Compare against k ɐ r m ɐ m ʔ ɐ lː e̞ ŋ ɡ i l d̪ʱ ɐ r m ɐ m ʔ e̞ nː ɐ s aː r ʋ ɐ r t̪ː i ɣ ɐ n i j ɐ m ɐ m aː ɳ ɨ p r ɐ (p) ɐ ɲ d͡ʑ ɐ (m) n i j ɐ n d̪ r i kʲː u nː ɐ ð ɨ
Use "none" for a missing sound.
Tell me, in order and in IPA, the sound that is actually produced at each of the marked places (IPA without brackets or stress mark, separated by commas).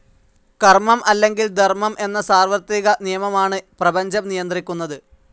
b, m